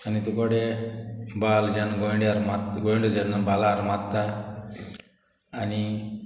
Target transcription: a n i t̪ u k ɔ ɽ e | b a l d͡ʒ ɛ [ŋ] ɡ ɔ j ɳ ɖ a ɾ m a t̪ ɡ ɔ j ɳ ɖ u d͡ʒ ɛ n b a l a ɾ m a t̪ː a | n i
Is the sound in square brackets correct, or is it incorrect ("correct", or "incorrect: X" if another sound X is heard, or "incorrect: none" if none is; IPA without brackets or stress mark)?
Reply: incorrect: n